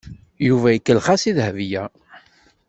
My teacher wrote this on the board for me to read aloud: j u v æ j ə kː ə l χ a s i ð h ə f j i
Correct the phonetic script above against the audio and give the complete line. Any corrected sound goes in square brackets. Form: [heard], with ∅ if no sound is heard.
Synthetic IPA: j u v æ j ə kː ə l χ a s i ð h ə [v] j [æ]